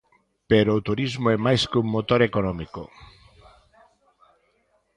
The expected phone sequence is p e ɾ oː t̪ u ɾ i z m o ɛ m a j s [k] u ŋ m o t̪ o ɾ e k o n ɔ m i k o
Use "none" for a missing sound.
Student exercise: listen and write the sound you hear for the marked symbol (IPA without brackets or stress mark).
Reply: k